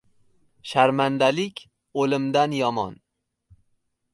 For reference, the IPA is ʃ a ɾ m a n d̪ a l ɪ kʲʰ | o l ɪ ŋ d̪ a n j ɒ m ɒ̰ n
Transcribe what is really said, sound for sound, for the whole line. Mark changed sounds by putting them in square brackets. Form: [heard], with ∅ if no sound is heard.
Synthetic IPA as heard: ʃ a ɾ m a n d̪ a l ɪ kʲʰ | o l ɪ [m] d̪ a n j ɒ m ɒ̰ n